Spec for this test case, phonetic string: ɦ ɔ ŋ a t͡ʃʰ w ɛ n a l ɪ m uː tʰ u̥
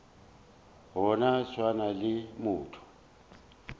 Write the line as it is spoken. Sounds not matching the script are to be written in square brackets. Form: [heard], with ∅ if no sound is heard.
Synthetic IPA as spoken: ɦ ɔ [n] a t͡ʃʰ w [a] n a l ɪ m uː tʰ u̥